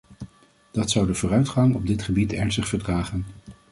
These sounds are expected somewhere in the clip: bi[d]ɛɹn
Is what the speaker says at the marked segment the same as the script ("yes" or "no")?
no